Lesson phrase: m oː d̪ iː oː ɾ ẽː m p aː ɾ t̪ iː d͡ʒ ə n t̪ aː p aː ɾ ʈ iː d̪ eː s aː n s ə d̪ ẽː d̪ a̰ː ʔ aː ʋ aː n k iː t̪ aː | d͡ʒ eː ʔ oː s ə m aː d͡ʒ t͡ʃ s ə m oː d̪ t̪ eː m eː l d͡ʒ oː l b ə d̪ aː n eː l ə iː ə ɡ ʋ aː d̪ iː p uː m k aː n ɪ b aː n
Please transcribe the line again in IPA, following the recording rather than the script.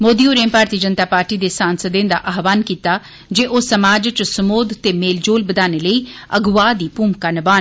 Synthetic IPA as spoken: m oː d̪ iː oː ɾ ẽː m p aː ɾ t̪ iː d͡ʒ ə n t̪ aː p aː ɾ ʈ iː d̪ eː s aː n s ə d̪ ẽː d̪ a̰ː ʔ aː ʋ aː n k iː t̪ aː | d͡ʒ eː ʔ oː s ə m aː d͡ʒ t͡ʃ s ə m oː d̪ t̪ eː m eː l d͡ʒ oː l b ə d̪ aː n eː l ə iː ə ɡ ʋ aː d̪ iː p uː m k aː n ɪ b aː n